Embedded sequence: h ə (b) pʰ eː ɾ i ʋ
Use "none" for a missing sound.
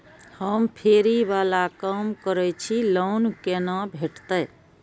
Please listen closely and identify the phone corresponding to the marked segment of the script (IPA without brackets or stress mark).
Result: m